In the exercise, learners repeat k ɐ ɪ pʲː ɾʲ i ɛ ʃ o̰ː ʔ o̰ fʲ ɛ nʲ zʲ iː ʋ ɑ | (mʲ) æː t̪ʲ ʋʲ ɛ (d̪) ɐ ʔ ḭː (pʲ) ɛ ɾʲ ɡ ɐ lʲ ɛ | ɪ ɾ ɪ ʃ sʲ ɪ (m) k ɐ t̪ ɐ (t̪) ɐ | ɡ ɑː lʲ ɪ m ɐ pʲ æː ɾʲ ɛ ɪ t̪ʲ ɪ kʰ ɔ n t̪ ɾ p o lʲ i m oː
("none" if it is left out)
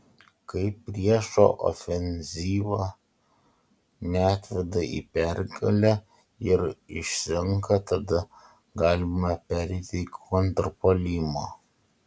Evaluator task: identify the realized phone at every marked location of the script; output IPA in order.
nʲ, d̪, pʲ, ŋ, d̪

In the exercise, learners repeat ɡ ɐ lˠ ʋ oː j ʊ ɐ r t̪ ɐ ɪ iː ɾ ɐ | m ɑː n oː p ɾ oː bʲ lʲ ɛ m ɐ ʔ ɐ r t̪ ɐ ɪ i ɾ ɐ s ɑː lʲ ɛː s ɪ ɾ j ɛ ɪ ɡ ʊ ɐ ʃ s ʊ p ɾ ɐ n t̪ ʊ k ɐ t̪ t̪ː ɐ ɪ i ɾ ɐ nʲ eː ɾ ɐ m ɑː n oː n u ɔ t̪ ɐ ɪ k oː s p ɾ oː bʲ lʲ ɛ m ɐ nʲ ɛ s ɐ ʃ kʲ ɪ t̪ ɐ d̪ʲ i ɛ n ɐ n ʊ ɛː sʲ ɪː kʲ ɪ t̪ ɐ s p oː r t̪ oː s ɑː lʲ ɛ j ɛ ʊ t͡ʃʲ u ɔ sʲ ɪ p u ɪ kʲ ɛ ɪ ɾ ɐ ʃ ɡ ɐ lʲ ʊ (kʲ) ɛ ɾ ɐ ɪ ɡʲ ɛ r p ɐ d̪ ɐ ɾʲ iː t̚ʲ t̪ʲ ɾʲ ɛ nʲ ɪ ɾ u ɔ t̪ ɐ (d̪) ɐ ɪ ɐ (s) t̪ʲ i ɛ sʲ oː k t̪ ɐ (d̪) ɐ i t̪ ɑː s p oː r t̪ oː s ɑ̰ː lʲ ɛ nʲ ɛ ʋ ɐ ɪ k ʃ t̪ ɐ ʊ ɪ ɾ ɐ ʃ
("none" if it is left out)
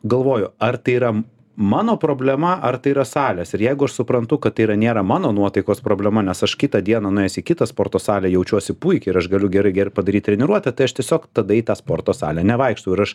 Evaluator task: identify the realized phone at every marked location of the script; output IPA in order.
ɡʲ, t̪, ʃ, d̪

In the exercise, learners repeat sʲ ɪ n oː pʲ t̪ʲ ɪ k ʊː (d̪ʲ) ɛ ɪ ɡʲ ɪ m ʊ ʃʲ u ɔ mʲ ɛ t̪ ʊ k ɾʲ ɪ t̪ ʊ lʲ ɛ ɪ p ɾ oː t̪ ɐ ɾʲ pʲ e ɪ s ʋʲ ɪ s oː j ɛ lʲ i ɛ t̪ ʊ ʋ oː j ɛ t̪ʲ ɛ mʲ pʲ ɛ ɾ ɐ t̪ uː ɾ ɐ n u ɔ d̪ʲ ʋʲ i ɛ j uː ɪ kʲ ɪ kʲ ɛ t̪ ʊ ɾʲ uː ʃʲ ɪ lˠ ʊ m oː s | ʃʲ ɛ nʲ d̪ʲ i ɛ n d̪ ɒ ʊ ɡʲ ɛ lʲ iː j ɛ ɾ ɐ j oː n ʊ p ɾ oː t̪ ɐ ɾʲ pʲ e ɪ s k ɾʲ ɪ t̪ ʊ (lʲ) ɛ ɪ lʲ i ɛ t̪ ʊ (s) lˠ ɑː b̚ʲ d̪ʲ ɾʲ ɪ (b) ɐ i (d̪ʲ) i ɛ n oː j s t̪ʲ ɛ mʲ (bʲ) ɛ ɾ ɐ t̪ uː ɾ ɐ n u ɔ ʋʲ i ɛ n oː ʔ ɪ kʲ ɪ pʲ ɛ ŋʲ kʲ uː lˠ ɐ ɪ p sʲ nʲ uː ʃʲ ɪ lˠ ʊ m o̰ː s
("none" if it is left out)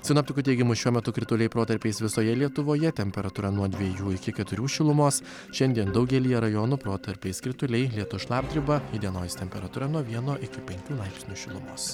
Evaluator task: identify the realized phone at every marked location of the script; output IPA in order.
t̪ʲ, lʲ, ʃ, b, d̪ʲ, pʲ

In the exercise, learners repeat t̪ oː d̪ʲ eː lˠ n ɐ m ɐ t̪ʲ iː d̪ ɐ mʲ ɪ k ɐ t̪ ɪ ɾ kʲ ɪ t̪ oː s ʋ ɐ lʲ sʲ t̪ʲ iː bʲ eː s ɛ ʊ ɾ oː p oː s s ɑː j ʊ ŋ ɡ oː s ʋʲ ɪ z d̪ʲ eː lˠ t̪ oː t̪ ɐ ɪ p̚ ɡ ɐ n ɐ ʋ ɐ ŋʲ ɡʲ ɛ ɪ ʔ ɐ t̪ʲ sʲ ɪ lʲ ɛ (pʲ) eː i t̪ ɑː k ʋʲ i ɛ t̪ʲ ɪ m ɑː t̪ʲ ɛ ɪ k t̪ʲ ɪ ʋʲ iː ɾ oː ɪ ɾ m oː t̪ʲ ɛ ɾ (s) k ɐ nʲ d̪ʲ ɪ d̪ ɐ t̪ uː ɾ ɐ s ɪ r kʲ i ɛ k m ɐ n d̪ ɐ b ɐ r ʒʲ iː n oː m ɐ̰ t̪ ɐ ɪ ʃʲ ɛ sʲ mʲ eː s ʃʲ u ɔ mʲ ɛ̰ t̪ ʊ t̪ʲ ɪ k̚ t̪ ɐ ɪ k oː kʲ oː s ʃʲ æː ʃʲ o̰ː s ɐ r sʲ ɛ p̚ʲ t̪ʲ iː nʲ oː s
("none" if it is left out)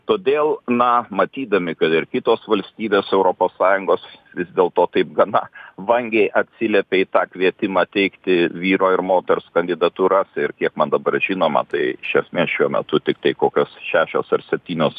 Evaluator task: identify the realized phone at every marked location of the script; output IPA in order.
pʲ, s

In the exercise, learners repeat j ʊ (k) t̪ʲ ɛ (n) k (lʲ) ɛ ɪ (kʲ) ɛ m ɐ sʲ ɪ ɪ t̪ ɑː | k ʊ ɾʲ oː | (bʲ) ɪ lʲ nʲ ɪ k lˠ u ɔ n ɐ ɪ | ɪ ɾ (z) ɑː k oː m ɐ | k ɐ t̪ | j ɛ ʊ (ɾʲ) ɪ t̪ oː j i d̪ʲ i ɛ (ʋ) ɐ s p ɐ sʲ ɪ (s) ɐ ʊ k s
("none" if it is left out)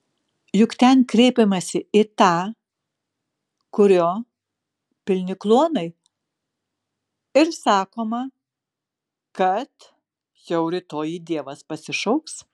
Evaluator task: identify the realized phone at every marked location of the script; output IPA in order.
k, n, ɾʲ, pʲ, pʲ, s, ɾʲ, ʋ, ʃ

